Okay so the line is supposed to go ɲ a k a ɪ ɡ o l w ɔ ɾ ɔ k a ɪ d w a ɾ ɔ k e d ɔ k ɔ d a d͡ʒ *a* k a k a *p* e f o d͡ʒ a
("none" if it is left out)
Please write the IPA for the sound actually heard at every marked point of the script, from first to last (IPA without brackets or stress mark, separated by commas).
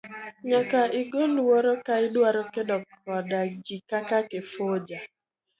i, k